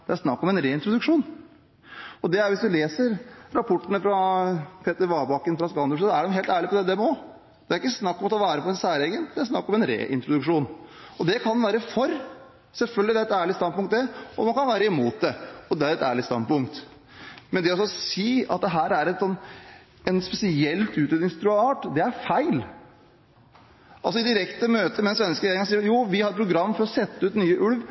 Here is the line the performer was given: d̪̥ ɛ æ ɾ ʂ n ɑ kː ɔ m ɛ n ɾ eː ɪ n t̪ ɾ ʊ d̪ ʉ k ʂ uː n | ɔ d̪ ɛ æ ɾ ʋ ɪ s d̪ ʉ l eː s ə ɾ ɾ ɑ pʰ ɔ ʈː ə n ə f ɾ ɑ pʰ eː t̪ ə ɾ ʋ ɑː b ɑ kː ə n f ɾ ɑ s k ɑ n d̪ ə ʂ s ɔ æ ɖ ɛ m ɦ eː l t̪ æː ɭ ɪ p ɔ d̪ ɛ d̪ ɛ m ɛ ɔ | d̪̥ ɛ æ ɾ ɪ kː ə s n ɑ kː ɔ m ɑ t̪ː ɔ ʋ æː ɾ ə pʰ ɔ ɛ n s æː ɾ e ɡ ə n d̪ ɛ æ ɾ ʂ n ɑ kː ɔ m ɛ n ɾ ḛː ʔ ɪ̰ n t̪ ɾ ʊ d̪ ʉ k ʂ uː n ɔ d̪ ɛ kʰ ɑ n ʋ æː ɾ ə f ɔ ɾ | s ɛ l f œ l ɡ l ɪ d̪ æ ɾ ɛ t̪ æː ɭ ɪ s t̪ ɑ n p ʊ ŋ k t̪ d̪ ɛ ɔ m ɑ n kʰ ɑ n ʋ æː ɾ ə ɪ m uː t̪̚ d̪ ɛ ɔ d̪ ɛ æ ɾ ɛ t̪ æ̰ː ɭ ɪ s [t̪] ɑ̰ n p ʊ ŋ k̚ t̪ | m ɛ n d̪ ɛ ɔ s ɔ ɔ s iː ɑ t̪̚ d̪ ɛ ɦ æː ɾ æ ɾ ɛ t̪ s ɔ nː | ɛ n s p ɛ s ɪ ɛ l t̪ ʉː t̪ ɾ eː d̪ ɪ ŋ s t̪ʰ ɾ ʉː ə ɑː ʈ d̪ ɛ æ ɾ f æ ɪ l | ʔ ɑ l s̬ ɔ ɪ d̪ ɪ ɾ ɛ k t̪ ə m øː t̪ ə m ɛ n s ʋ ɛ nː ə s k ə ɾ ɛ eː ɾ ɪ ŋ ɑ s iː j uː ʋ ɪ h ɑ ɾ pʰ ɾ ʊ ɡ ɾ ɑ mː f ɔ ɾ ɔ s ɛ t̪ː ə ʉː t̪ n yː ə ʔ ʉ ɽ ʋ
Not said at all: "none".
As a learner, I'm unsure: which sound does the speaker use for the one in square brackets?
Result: t̪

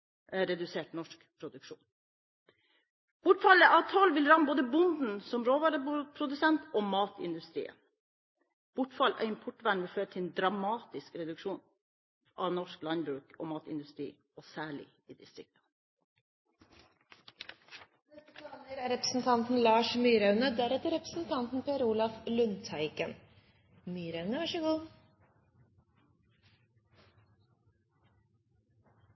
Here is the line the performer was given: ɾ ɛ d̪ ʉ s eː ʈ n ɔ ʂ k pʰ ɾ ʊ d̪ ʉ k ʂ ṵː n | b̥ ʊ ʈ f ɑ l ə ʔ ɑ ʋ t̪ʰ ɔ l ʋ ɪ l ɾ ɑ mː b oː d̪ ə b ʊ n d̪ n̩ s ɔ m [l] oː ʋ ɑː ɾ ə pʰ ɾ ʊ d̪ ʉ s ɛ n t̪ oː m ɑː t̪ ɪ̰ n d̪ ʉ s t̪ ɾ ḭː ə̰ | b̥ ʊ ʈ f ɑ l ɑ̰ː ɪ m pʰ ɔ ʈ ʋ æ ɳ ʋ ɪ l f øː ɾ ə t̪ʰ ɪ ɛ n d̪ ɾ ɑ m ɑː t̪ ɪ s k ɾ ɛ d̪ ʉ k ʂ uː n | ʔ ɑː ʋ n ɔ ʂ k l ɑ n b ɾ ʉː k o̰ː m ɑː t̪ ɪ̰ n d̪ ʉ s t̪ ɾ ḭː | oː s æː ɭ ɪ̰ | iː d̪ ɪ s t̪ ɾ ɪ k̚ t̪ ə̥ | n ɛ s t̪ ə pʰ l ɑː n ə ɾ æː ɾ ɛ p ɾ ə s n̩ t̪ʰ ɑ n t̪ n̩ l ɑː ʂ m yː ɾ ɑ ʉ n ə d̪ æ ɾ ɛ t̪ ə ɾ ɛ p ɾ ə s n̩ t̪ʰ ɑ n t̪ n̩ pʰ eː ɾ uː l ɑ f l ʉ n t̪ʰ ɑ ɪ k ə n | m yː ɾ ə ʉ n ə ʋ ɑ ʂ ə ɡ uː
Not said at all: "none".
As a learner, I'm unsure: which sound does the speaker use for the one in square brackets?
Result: ɾ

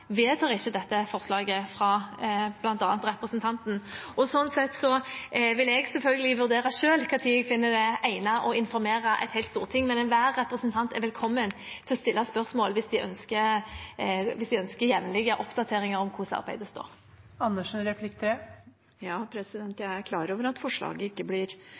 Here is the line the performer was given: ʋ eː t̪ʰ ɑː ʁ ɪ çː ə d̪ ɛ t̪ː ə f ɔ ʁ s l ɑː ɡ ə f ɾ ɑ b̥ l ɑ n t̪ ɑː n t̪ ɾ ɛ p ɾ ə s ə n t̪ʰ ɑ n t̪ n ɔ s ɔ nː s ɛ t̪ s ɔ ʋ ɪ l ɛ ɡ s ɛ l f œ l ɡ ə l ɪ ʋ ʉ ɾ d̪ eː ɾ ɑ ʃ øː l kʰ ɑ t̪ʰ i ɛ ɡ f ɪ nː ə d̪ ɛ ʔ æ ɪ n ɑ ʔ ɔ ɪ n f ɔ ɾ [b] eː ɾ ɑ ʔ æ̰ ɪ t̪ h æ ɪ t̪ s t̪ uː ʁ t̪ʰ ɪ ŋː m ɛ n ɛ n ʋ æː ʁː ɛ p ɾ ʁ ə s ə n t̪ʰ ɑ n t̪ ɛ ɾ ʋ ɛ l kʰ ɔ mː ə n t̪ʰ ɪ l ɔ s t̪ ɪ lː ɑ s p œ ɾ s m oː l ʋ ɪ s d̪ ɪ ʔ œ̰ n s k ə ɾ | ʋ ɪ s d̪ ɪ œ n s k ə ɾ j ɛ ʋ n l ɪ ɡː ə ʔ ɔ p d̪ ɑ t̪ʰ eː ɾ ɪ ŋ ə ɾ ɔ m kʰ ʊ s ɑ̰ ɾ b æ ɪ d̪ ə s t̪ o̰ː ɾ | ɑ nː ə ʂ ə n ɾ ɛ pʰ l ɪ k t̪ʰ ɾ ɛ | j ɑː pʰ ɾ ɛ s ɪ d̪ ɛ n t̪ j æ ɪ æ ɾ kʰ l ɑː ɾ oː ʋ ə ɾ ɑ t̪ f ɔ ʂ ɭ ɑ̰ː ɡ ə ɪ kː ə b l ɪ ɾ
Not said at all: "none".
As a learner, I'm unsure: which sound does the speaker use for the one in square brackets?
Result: m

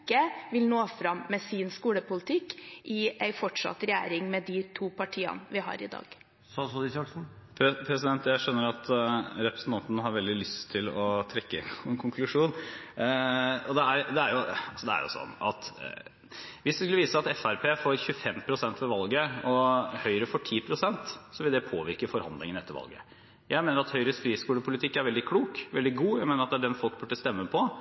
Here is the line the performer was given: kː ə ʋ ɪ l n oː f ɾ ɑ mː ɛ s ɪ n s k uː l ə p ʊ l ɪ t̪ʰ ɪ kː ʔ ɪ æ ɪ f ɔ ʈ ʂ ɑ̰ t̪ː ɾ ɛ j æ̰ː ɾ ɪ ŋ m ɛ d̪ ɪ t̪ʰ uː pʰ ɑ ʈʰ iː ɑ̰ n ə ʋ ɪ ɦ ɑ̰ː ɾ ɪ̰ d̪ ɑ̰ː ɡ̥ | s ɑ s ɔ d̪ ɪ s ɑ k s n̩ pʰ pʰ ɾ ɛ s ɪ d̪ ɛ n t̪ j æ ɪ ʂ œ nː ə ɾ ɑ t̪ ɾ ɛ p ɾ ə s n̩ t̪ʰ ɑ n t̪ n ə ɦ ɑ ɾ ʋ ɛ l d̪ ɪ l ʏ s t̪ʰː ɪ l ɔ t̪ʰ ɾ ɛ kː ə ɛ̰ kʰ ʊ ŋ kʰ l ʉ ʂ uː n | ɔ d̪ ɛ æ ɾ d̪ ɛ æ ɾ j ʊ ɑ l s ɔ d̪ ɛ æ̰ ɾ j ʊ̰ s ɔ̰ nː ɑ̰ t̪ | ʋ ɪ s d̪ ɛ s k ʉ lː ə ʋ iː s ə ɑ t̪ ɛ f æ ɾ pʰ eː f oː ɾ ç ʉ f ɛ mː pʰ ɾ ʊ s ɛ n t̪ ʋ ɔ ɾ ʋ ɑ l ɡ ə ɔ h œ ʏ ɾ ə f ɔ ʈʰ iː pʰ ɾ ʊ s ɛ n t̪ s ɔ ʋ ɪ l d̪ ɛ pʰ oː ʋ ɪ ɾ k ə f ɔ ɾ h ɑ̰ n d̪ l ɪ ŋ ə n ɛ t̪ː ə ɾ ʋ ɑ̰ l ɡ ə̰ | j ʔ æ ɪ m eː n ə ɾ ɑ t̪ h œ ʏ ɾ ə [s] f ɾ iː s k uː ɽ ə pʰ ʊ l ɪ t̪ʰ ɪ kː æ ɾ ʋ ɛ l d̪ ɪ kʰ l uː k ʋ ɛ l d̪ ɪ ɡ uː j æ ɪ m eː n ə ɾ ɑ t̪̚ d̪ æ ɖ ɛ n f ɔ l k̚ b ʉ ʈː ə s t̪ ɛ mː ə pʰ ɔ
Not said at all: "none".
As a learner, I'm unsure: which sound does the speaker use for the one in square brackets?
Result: s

